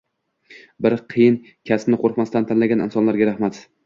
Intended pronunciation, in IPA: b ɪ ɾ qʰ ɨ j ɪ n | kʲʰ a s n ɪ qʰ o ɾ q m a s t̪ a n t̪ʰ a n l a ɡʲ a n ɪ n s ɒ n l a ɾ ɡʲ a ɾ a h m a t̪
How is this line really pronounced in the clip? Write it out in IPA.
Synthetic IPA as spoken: b ɪ ɾ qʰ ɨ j ɪ n | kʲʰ a s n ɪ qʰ o ɾ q m a s t̪ a n t̪ʰ a n l a ɡʲ a n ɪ n s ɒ n l a ɾ ɡʲ a ɾ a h m a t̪